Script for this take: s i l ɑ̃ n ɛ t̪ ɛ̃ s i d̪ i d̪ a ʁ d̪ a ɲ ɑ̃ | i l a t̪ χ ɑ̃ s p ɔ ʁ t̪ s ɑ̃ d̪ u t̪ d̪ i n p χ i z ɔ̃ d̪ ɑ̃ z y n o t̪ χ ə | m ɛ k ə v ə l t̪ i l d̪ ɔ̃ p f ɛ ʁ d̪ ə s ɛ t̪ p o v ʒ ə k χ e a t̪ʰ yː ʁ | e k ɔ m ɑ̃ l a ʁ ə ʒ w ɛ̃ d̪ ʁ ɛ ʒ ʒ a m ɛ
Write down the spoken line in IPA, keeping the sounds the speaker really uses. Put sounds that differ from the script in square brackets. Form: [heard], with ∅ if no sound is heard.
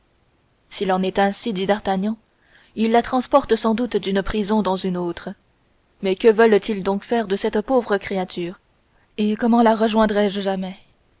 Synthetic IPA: s i l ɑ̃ n ɛ t̪ ɛ̃ s i d̪ i d̪ a ʁ [t̪] a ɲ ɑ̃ | i [lː] a t̪ χ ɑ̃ s p ɔ ʁ t̪ s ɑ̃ d̪ u t̪ d̪ [y] n p χ i z ɔ̃ d̪ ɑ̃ z y n o t̪ χ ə | m ɛ k ə v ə l t̪ i l d̪ ɔ̃ [k] f ɛ ʁ d̪ ə s ɛ t̪ p o v [ʁ] ə k χ e a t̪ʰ yː ʁ | e k ɔ m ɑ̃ l a ʁ ə ʒ w ɛ̃ d̪ ʁ ɛ ʒ ʒ a m ɛ